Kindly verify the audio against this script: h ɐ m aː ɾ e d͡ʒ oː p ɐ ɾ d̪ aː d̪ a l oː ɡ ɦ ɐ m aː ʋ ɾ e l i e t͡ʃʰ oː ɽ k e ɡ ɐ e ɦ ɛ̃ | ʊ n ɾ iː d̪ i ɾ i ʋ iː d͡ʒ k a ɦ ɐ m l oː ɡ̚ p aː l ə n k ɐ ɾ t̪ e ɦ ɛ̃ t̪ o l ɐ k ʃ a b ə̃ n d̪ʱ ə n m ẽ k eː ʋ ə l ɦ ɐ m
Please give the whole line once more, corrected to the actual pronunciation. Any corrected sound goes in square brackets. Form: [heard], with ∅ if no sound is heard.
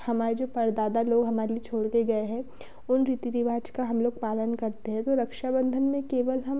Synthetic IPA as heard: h ɐ m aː ɾ e d͡ʒ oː p ɐ ɾ d̪ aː d̪ a l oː ɡ ɦ ɐ m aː [∅] ɾ e l i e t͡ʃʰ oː ɽ k e ɡ ɐ e ɦ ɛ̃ | ʊ n ɾ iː [t̪] i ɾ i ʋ [aː] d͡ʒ k a ɦ ɐ m l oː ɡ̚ p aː l ə n k ɐ ɾ t̪ e ɦ ɛ̃ t̪ o [ɾ] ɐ k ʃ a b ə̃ n d̪ʱ ə n m ẽ k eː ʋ ə l ɦ ɐ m